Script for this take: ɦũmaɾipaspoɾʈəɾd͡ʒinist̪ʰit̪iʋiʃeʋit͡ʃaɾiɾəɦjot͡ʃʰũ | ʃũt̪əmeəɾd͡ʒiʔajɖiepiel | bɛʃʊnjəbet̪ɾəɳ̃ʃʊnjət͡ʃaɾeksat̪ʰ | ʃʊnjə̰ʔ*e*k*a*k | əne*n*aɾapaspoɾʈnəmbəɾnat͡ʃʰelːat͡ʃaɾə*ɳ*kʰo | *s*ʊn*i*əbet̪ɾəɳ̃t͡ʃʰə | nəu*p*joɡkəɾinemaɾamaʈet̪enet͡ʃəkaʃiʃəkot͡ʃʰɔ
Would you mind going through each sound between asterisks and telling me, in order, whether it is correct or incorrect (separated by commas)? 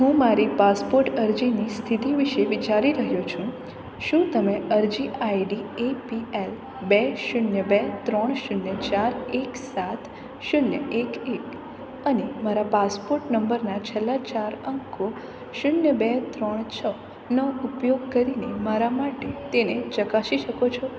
correct, incorrect, incorrect, incorrect, incorrect, incorrect, correct